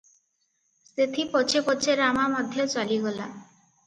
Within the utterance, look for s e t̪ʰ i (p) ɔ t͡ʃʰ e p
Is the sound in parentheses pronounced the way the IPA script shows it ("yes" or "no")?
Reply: yes